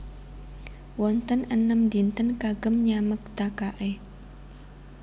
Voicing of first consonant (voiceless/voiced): voiced